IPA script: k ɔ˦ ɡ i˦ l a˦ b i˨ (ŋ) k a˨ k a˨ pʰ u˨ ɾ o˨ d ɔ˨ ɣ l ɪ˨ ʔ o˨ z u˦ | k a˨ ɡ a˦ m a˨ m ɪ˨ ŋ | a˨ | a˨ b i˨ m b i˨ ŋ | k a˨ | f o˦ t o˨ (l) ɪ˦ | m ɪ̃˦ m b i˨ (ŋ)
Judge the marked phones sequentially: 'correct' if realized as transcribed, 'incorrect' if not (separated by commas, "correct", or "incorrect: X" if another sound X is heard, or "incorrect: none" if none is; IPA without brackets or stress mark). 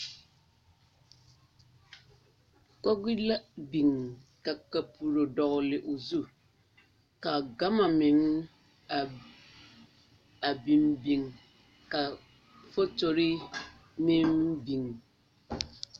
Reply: correct, incorrect: ɾ, correct